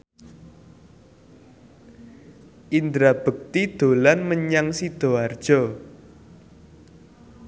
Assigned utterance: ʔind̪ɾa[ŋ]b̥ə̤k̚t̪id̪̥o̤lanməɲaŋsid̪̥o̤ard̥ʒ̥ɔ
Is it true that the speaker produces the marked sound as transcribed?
no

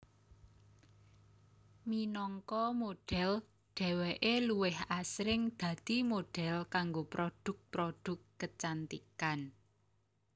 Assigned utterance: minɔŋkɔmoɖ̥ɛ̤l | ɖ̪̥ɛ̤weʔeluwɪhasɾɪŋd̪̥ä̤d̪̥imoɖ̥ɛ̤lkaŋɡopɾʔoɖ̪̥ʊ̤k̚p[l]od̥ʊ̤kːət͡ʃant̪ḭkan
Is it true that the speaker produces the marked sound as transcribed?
no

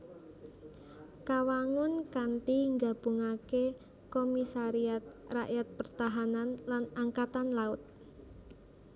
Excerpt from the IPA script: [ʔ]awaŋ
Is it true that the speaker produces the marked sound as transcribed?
no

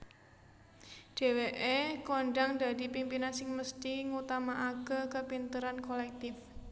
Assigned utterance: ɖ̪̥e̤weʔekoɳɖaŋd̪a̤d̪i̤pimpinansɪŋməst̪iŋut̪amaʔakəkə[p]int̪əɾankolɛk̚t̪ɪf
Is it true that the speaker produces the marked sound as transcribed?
yes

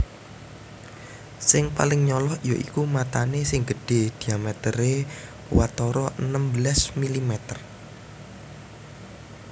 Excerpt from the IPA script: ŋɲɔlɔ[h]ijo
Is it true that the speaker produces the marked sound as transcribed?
yes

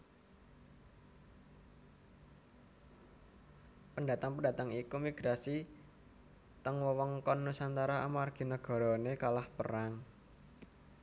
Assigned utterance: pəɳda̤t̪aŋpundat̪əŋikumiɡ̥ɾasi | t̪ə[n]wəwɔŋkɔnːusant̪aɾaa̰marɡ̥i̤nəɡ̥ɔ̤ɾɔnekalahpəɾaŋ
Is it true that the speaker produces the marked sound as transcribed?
no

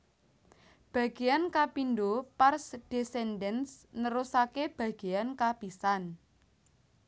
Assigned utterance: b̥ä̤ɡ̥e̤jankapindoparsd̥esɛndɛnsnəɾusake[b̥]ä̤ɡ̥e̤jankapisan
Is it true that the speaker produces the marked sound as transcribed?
yes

